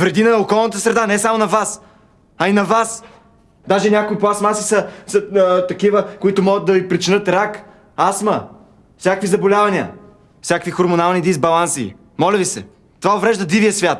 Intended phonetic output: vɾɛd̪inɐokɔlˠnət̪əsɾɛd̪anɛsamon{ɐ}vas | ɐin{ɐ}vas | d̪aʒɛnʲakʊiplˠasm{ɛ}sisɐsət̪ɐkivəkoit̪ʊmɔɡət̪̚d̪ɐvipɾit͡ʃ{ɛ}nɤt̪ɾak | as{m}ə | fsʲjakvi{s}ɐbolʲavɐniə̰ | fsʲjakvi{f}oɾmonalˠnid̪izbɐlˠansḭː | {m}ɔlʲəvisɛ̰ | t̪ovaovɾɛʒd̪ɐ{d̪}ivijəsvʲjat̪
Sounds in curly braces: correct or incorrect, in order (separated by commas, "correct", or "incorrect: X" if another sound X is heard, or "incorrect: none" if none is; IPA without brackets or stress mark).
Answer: correct, correct, incorrect: a, incorrect: i, correct, incorrect: z, incorrect: x, correct, correct